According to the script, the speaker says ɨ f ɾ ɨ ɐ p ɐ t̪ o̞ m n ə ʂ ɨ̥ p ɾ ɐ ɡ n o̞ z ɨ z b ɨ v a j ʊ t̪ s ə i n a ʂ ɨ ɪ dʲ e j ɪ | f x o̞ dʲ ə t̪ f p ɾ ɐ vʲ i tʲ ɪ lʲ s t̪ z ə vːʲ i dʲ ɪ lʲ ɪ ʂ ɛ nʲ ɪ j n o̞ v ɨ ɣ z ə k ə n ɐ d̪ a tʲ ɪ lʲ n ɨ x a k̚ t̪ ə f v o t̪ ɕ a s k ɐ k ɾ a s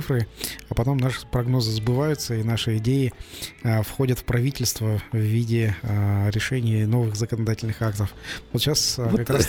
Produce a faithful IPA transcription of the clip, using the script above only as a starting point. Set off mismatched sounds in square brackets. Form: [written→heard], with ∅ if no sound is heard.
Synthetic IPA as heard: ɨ f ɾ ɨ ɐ p ɐ t̪ o̞ m n [ə→a] ʂ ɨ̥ p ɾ ɐ ɡ n o̞ z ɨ z b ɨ v a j ʊ t̪ s ə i n a ʂ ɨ ɪ dʲ e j ɪ | f x o̞ dʲ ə t̪ f p ɾ ɐ vʲ i tʲ ɪ lʲ s t̪ [z→v] ə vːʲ i dʲ ɪ [lʲ→ɾʲ] ɪ ʂ ɛ nʲ ɪ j n o̞ v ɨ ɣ z ə k ə n ɐ d̪ a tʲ ɪ lʲ n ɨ x a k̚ t̪ ə f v o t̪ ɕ a s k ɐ k ɾ a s